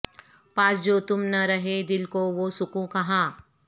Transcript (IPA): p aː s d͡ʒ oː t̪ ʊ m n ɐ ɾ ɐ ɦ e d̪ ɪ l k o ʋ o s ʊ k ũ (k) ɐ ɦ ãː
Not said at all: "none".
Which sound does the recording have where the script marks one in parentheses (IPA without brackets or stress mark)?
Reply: k